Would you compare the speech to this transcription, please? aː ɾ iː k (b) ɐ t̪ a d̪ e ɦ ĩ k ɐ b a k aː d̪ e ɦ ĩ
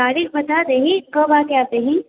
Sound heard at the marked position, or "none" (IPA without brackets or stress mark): b